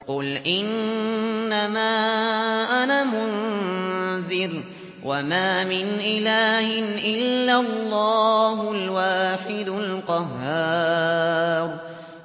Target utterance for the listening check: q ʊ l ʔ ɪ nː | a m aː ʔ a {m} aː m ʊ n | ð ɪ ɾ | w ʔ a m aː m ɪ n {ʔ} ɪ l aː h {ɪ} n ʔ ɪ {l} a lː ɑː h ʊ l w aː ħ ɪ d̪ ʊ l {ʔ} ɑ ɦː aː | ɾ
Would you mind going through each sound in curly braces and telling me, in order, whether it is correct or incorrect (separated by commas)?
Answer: incorrect, correct, correct, incorrect, incorrect